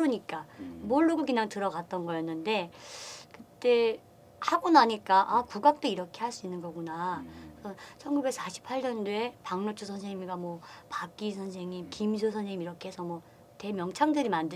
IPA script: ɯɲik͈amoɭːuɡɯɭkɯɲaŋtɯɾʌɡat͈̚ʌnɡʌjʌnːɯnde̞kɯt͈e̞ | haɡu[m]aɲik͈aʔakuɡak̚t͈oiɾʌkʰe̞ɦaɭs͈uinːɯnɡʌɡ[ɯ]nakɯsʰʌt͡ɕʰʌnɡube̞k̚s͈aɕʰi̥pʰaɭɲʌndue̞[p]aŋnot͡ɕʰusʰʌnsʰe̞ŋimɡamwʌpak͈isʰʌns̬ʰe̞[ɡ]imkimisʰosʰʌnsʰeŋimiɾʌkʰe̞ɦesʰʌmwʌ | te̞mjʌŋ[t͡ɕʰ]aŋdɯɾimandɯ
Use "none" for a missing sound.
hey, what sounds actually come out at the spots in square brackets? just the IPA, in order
n, u, p, ŋ, t͡ɕʰ

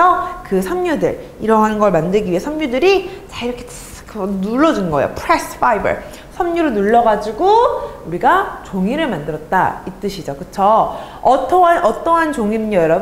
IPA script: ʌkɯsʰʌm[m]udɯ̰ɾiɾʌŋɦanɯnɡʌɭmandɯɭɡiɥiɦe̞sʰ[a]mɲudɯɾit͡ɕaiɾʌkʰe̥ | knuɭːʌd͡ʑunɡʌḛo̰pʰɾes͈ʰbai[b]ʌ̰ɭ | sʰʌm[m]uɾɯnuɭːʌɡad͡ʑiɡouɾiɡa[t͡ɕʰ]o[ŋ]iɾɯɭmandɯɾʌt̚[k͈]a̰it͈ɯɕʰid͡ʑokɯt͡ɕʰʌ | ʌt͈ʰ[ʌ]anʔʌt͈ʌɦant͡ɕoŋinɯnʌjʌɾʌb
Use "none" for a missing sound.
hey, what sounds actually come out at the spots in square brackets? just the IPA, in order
ɲ, ʌ, b, ɲ, t͡ɕ, ŋ, t͈, ʌ

